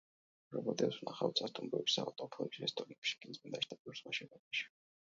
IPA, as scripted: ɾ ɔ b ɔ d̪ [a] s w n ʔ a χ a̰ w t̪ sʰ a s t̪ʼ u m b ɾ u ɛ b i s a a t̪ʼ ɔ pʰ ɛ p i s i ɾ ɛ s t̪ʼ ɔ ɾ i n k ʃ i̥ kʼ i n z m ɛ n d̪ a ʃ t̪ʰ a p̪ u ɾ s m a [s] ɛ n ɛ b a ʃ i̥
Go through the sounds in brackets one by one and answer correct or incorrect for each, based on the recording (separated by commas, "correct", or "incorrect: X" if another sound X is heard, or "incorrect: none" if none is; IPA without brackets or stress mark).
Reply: incorrect: ɛ, incorrect: ʃ